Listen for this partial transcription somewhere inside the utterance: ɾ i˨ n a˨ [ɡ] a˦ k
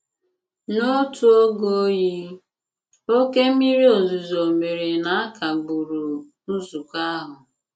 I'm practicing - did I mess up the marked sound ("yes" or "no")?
yes